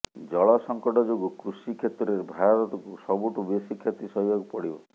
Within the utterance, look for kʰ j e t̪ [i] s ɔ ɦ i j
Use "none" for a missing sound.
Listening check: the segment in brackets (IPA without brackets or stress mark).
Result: i